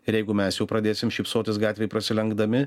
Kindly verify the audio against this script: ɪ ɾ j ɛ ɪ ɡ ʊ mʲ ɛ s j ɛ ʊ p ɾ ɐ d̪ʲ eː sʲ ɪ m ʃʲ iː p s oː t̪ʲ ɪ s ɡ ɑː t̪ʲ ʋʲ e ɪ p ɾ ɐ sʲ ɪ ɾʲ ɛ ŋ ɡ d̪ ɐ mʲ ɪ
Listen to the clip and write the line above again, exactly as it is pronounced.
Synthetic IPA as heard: ɪ ɾ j ɛ ɪ ɡ ʊ mʲ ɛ s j ɛ ʊ p ɾ ɐ d̪ʲ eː sʲ ɪ m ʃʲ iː p s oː t̪ʲ ɪ s ɡ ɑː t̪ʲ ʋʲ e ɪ p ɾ ɐ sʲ ɪ lʲ ɛ ŋ ɡ d̪ ɐ mʲ ɪ